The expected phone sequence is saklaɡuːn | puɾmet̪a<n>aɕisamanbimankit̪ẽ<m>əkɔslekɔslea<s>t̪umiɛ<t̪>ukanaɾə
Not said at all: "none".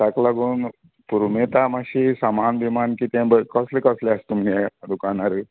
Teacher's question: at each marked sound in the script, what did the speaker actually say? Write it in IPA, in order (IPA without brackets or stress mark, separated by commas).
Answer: m, b, s, d̪